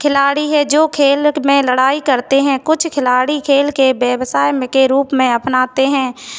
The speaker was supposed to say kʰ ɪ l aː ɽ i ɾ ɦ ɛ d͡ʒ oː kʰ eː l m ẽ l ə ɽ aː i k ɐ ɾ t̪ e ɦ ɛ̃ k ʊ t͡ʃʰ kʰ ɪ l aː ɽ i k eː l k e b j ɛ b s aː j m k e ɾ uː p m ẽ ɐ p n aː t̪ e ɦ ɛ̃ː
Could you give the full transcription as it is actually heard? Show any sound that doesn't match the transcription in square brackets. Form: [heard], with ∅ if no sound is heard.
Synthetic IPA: kʰ ɪ l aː ɽ i [∅] ɦ ɛ d͡ʒ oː kʰ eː l m ẽ l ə ɽ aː i k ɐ ɾ t̪ e ɦ ɛ̃ k ʊ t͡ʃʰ kʰ ɪ l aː ɽ i [kʰ] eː l k e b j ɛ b s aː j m k e ɾ uː p m ẽ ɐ p n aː t̪ e ɦ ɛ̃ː